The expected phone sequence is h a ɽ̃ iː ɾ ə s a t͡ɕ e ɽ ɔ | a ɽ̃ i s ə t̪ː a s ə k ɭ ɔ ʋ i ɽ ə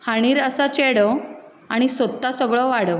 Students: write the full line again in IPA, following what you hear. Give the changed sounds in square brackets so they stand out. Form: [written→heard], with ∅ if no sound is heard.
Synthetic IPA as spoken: h a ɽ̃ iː ɾ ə s a t͡ɕ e ɽ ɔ | a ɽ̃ i s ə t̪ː a s ə [k→ɡ] ɭ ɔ ʋ [i→a] ɽ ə